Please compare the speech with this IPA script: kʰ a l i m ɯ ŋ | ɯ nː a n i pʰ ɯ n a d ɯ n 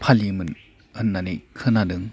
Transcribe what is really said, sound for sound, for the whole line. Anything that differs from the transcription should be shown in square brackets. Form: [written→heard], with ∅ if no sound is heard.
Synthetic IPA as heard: [kʰ→pʰ] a l i m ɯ [ŋ→n] | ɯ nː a n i [pʰ→kʰ] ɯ n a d ɯ [n→ŋ]